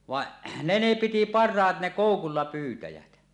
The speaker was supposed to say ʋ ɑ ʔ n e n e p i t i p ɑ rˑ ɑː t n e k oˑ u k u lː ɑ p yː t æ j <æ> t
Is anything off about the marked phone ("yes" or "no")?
no